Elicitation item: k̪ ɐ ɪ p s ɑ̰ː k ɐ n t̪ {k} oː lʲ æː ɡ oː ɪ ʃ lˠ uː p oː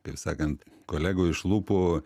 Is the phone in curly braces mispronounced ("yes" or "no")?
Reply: no